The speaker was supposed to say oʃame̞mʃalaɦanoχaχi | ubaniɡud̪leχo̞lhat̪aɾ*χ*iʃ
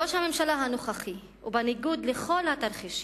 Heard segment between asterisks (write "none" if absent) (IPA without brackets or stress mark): χ